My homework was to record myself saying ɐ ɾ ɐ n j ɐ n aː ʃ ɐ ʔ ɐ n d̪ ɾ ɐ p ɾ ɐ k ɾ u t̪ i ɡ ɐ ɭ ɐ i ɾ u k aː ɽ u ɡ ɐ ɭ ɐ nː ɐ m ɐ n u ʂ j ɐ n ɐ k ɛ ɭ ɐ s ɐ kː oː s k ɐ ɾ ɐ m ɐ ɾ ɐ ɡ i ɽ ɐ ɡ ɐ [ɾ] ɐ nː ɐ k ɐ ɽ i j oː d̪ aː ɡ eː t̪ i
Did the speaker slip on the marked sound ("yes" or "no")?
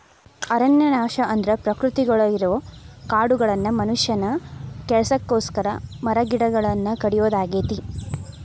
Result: yes